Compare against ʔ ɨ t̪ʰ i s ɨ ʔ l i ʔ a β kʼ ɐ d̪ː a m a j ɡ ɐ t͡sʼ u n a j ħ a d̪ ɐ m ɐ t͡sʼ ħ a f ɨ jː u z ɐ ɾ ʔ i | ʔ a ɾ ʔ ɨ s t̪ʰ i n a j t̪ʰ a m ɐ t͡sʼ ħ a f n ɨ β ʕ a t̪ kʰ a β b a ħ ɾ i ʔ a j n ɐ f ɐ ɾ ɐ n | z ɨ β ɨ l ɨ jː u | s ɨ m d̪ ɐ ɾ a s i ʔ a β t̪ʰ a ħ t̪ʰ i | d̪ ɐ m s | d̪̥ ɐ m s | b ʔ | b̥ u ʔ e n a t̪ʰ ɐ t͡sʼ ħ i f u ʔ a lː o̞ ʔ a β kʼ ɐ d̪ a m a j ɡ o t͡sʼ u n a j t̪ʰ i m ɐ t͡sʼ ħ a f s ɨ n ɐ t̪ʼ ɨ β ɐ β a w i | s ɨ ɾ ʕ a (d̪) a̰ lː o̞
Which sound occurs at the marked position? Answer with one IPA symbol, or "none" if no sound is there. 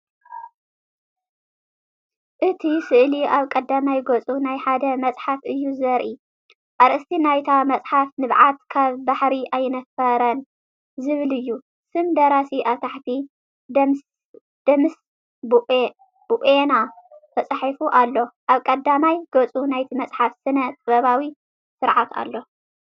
t̪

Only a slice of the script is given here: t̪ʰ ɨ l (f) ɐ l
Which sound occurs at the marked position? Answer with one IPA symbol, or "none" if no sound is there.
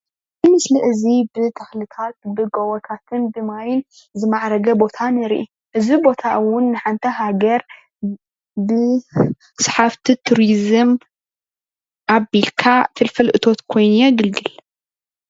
f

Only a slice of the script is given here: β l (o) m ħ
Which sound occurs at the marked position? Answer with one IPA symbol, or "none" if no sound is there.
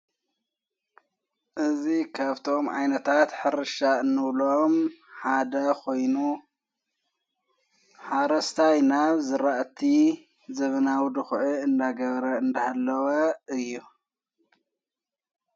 o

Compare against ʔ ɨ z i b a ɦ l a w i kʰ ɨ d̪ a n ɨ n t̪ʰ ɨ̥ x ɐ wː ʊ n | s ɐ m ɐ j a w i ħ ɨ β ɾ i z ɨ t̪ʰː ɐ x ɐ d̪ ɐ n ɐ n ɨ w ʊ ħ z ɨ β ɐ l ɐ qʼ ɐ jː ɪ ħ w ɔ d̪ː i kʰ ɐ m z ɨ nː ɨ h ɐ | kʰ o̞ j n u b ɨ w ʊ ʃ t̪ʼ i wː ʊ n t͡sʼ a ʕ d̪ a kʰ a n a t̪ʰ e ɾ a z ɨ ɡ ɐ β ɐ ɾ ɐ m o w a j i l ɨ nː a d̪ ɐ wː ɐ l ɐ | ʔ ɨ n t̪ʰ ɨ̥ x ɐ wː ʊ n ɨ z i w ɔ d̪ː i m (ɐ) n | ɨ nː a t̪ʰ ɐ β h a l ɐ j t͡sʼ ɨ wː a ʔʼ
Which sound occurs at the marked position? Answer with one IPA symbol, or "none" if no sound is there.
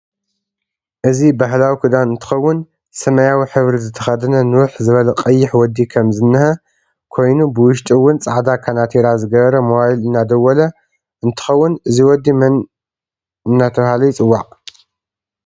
ɐ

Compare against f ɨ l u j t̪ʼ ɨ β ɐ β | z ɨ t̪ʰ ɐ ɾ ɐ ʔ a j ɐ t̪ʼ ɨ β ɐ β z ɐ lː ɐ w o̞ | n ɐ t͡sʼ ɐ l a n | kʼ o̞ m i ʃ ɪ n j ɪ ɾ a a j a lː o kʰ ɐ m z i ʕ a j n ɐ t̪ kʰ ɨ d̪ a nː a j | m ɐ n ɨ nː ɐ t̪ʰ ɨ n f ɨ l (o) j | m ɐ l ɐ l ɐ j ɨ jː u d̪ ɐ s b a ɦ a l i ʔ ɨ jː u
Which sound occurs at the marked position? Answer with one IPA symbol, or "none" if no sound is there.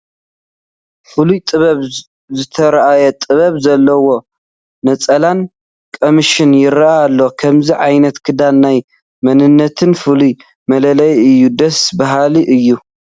u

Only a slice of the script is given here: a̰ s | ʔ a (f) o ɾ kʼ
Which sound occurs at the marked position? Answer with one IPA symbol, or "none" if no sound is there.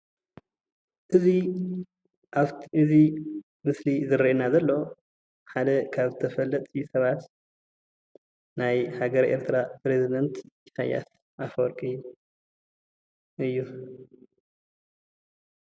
f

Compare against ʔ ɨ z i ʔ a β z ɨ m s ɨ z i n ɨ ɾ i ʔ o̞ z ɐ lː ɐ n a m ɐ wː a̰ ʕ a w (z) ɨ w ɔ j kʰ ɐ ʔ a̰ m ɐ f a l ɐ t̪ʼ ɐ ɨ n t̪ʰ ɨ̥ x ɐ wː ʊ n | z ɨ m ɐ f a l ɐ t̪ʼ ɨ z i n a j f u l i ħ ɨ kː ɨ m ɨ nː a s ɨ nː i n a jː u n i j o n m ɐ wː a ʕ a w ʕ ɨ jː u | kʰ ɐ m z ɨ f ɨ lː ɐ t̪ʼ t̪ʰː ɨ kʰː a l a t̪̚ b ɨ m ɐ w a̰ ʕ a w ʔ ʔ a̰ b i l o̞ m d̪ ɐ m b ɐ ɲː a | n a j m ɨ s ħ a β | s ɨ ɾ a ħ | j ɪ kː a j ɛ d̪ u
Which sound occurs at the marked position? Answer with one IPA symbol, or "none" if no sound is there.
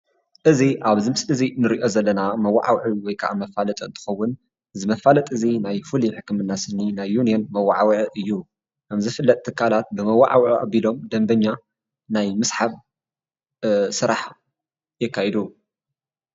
ʕ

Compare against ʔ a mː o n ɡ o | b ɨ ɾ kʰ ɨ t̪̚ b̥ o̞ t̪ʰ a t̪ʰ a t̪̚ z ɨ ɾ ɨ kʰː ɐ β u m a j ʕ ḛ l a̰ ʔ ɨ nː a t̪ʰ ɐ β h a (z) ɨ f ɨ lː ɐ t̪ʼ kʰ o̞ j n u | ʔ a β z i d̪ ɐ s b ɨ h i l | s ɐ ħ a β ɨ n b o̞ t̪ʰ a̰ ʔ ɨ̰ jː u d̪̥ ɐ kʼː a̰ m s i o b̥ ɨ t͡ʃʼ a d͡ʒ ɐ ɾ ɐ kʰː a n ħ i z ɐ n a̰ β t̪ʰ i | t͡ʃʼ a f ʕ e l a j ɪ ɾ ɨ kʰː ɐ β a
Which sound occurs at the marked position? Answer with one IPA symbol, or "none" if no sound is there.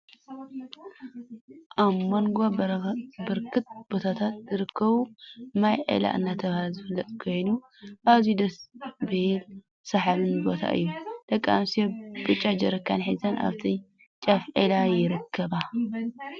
z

